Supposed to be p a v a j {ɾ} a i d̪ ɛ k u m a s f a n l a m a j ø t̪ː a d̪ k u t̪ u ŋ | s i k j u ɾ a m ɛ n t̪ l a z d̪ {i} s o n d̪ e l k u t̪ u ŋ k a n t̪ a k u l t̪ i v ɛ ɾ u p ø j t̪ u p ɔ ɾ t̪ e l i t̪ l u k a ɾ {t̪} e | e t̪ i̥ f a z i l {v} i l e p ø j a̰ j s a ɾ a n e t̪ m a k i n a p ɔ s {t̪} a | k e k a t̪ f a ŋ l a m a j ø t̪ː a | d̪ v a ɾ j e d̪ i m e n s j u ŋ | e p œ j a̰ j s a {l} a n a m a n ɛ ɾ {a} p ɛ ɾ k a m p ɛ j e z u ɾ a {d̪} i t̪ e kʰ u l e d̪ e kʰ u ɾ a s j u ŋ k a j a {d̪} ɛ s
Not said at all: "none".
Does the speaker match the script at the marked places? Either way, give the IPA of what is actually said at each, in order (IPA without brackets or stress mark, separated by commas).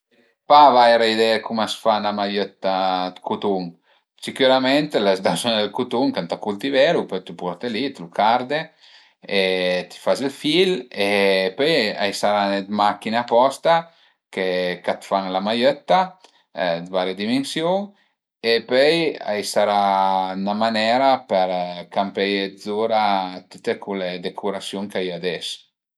ɾ, a, d̪, f, t̪, ɾ, a, t̪, d̪